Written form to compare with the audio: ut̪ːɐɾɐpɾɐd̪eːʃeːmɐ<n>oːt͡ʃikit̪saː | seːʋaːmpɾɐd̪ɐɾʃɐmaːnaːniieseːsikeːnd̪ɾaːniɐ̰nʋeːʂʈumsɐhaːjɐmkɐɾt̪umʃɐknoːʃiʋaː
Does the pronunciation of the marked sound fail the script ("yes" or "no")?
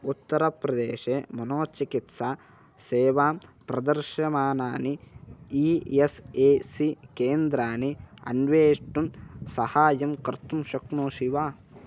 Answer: no